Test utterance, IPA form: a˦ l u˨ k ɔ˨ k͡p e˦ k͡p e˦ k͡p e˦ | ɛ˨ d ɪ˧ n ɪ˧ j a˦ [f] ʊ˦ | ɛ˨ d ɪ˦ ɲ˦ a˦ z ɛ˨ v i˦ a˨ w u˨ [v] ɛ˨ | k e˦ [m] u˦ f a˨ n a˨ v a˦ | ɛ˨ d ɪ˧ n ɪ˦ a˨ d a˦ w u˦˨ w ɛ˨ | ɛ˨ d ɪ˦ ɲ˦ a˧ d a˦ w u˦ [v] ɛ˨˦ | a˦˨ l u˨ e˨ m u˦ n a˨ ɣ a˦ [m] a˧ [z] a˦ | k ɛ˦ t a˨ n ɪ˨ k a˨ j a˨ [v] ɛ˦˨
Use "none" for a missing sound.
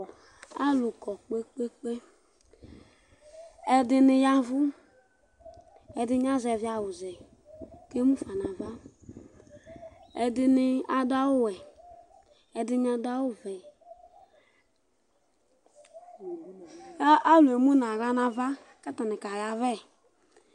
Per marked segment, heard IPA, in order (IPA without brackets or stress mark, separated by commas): v, z, m, v, n, v, v